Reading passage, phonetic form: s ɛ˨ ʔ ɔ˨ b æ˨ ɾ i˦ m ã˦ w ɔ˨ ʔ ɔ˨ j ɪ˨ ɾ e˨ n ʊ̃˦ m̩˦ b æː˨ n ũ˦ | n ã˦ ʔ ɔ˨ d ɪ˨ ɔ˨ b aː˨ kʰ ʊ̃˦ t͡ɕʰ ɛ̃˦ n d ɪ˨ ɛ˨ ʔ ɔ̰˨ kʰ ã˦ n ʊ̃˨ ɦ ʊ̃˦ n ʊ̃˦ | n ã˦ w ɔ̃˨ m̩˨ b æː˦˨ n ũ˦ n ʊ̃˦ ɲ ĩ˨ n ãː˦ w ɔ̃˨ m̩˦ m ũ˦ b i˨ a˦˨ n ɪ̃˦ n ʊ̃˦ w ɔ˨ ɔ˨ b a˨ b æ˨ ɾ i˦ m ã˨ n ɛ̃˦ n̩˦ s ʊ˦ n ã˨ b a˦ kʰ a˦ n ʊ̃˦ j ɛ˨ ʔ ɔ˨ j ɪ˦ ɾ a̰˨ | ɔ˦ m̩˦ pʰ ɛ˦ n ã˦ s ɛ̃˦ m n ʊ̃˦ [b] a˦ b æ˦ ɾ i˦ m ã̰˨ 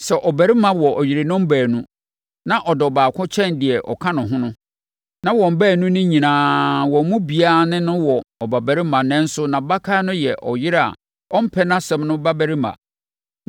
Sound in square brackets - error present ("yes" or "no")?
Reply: no